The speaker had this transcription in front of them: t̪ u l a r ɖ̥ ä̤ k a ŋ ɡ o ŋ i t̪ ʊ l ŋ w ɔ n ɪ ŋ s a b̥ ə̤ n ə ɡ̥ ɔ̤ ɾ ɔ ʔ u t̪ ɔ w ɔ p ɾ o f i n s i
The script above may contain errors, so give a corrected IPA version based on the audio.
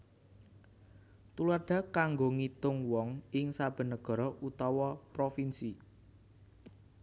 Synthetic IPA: t̪ u l a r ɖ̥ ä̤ k a ŋ ɡ o ŋ i t̪ ʊ ŋ w ɔ ŋ ɪ ŋ s a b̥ ə̤ n ə ɡ̥ ɔ̤ ɾ ɔ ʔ u t̪ ɔ w ɔ p ɾ o f i n s i